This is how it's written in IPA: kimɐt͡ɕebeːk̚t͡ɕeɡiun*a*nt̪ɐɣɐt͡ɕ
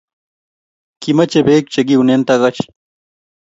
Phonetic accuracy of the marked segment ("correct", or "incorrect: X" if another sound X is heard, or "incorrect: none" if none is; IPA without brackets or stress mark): incorrect: e